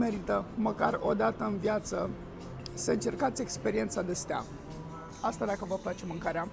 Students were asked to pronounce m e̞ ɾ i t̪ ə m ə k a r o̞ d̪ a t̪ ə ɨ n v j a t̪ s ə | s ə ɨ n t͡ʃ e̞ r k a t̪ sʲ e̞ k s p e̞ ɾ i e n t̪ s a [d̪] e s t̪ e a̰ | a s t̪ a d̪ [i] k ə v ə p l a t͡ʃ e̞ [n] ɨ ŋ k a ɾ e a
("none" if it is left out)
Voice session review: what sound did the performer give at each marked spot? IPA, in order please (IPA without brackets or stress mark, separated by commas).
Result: d̪, a, m